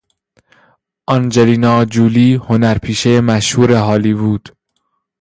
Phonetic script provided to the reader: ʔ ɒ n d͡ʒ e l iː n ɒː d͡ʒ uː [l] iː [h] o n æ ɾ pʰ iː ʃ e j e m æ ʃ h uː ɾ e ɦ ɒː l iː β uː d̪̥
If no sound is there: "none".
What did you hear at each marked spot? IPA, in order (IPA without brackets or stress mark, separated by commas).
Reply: l, h